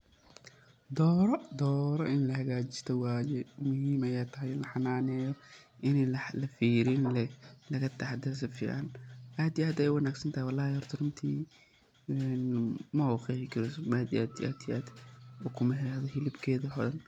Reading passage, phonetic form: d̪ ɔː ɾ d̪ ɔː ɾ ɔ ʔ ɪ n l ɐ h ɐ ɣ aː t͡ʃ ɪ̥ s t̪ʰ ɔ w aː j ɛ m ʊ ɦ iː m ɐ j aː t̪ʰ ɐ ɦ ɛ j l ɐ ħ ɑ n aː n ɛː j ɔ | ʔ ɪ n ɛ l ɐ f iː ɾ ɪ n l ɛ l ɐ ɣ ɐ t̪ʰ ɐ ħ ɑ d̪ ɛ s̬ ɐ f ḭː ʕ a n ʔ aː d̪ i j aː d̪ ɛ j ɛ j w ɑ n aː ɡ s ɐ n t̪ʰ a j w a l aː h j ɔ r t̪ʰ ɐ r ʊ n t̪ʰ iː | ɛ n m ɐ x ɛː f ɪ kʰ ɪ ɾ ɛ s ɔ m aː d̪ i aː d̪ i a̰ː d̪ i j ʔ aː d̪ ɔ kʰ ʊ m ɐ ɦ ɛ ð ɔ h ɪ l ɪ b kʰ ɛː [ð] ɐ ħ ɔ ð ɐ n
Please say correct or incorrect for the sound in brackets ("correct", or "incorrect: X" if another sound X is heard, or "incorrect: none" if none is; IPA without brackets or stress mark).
correct